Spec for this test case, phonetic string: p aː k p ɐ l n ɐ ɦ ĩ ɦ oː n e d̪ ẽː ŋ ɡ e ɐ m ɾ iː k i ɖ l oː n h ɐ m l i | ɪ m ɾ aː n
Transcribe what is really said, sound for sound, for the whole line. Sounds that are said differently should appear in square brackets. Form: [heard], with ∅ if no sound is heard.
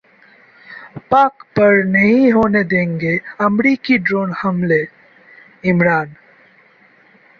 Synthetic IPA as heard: p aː k p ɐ [ɾ] n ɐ ɦ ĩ ɦ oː n e d̪ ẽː ŋ ɡ e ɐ m ɾ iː k i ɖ [ɾ] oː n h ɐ m l [e] | ɪ m ɾ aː n